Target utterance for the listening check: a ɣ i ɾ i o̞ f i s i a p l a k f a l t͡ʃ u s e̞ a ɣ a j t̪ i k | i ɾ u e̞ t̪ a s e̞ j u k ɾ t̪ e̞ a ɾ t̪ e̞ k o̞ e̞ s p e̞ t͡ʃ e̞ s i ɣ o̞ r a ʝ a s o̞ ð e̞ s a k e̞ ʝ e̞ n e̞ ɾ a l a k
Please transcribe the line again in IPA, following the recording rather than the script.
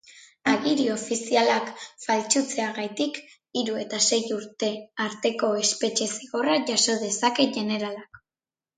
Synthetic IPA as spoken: a ɣ i ɾ i o̞ f i s i a l a k f a l t͡ʃ u t͡s e̞ a ɣ a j t̪ i k | i ɾ u e̞ t̪ a s e̞ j u ɾ t̪ e̞ a ɾ t̪ e̞ k o̞ e̞ s p e̞ t͡ʃ e̞ s i ɣ o̞ r a ʝ a s o̞ ð e̞ s a k e̞ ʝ e̞ n e̞ ɾ a l a k